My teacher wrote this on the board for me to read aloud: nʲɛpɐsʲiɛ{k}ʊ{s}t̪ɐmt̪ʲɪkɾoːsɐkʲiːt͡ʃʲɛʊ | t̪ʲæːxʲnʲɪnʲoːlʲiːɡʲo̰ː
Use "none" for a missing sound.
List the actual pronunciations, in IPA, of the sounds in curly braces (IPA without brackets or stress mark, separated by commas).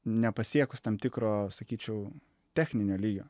k, s